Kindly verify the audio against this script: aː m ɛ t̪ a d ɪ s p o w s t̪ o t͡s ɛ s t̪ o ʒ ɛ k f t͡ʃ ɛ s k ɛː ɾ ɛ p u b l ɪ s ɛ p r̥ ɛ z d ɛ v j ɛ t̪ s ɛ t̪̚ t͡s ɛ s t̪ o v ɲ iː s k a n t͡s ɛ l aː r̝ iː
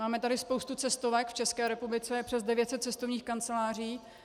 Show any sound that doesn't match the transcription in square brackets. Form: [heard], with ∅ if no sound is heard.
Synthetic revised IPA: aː m ɛ t̪ a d ɪ s p o w s t̪ [u] t͡s ɛ s t̪ o [v] ɛ k f t͡ʃ ɛ s k ɛː ɾ ɛ p u b l ɪ [t͡s] ɛ p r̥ ɛ z d ɛ v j ɛ t̪ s ɛ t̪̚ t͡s ɛ s t̪ o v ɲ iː [x] k a n t͡s ɛ l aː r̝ iː